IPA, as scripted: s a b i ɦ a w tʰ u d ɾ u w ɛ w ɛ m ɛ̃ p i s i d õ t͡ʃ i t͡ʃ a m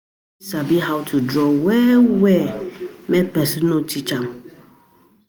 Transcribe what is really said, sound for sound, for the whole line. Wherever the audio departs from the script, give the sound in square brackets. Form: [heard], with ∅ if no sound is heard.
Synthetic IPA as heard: s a b i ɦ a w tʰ u d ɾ [ɔ] w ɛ w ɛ m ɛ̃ p [ɛ] s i [n] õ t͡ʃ i t͡ʃ a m

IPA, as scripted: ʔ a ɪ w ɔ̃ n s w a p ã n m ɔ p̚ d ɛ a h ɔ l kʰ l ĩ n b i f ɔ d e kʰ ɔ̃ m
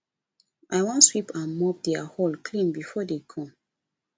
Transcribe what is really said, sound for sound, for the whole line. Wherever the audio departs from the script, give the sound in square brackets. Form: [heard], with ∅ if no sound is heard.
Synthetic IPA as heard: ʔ a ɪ w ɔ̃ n s w [i] p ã n m ɔ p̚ d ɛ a h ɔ l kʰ l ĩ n b i f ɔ d e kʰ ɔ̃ m

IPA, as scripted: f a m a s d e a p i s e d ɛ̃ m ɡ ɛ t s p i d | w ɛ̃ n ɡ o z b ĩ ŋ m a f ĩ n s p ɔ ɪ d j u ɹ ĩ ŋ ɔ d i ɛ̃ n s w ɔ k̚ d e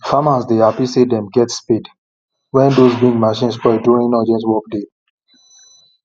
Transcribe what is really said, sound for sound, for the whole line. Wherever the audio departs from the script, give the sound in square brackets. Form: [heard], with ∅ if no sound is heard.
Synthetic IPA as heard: f a m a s d e a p i s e d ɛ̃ m ɡ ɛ t s p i d | w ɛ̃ n [d] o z b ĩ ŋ m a [ʃ] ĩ n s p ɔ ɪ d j u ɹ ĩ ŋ ɔ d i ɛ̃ n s w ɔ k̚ d e

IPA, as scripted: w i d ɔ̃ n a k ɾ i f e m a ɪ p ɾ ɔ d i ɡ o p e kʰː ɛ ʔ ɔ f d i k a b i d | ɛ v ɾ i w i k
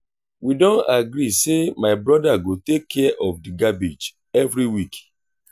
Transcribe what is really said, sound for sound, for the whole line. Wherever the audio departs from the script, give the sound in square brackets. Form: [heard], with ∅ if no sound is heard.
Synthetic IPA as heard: w i d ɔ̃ n a [ɡ] ɾ i [s] e m a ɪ [b] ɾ ɔ d [a] ɡ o [t] e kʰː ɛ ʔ ɔ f d i [ɡ] a b i [d͡ʒ] | ɛ v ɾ i w i k

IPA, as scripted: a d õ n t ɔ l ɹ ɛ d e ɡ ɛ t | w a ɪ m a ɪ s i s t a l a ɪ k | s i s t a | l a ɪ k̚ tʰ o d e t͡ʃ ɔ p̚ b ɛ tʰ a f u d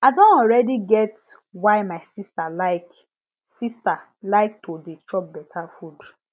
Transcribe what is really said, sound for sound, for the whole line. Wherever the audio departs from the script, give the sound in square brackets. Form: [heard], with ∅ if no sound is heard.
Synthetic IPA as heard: a d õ n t ɔ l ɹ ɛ d [i] ɡ ɛ t | w a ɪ m a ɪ s i s t a l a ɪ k | s i s t a | l a ɪ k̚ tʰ o d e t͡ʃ ɔ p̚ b ɛ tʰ a f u d

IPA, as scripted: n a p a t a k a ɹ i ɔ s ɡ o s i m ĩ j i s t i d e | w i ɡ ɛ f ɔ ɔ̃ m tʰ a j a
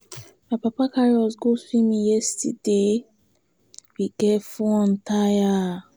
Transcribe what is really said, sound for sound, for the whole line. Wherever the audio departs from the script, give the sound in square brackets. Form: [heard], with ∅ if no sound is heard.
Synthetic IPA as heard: [m] a p a [p] a k a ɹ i ɔ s ɡ o s i m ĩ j [ɛ] s t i d e | w i ɡ ɛ f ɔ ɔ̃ [n] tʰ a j a

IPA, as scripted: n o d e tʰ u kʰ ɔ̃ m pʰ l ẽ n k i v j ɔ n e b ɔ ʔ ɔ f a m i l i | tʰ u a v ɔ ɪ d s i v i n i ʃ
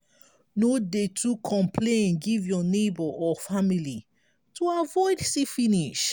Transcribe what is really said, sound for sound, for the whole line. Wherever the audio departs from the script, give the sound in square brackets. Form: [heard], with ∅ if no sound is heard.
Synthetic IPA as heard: n o d e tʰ u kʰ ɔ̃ m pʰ l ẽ n [ɡ] i v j ɔ n e b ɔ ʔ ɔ f a m i l i | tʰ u a v ɔ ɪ d s i [f] i n i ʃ

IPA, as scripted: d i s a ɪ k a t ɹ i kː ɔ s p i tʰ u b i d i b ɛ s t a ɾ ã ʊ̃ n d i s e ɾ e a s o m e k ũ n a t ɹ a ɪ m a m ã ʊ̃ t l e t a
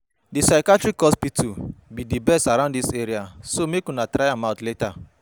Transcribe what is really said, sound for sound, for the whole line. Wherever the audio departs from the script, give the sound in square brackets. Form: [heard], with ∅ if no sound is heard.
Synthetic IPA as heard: d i s a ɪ k a t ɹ i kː ɔ s p i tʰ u b i d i b ɛ s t a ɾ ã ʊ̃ n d i s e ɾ [i] a s o m e k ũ n a t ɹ a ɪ [∅] a m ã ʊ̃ t l e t a

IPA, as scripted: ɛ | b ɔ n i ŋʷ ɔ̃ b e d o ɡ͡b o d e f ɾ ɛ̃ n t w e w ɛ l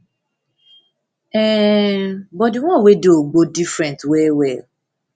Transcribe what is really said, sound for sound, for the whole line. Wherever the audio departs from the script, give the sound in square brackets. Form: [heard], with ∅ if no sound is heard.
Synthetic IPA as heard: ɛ | b ɔ [d] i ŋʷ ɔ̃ [w] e d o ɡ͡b o d [i] f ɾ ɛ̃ n t w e w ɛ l

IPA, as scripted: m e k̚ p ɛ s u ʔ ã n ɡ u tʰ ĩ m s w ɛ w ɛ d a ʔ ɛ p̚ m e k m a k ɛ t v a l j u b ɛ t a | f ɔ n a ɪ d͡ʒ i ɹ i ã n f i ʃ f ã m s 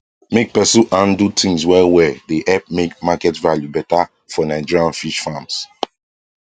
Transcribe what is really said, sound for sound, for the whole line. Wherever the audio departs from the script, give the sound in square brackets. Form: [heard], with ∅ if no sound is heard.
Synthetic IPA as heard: m e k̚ p ɛ s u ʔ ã n [d] u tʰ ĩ [ŋ] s w ɛ w ɛ d [e] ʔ ɛ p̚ m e k m a k ɛ t v a l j u b ɛ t a | f ɔ n a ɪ d͡ʒ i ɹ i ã n f i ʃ f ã m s

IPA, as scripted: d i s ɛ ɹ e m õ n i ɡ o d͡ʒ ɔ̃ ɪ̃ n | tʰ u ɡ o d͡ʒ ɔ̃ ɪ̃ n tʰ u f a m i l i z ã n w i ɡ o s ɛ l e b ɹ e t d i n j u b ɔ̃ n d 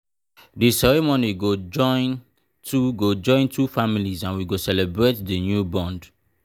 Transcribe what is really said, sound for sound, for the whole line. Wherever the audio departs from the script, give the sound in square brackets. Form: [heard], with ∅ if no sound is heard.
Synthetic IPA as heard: d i s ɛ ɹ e m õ n i ɡ o d͡ʒ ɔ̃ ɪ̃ n | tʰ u ɡ o d͡ʒ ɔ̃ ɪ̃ n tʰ u f a m i l i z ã n w i ɡ o s ɛ l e b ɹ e t d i n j u b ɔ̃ n d

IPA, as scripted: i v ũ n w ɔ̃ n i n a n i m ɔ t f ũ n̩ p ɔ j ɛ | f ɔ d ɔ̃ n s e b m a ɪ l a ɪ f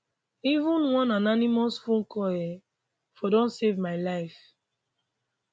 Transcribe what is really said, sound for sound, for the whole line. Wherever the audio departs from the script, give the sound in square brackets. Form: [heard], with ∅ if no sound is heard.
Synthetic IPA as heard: i v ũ n w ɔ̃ n [a] n a n i m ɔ [s] f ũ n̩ [k] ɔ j ɛ | f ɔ d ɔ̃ n s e [v] m a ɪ l a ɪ f

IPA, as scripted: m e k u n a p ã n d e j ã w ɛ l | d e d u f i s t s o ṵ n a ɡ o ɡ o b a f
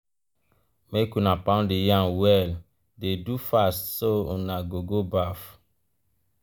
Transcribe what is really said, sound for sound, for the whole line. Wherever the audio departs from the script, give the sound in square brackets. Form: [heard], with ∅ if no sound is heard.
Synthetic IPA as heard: m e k u n a p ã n d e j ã w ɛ l | d e d u f [a] s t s o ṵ n a ɡ o ɡ o b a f

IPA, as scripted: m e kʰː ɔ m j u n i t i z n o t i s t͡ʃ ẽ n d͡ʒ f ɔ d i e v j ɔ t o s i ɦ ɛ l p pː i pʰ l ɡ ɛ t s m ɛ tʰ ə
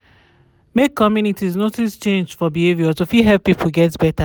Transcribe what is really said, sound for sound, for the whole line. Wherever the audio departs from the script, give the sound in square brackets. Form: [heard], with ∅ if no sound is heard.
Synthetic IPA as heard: m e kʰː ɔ m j u n i t i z n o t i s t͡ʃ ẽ n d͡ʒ f ɔ [b] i e v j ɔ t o [f] i ɦ ɛ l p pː i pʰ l ɡ ɛ t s [b] ɛ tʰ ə

